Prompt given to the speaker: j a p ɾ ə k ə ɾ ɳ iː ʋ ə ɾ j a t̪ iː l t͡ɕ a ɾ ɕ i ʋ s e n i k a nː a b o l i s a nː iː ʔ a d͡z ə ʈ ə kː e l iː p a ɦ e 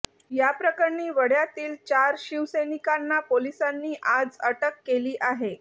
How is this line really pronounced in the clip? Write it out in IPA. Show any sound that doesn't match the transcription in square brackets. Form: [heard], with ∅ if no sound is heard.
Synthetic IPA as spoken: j a p ɾ ə k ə ɾ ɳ iː ʋ ə [ɽ] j a t̪ iː l t͡ɕ a ɾ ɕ i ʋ s e n i k a nː a [p] o l i s a nː iː ʔ a d͡z ə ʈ ə kː e l iː [ʔ] a ɦ e